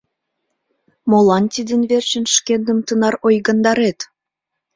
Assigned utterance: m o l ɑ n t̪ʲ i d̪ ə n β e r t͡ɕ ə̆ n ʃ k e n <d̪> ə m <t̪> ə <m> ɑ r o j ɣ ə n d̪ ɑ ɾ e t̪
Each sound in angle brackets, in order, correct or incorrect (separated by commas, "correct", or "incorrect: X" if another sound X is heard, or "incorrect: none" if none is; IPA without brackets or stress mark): correct, correct, incorrect: n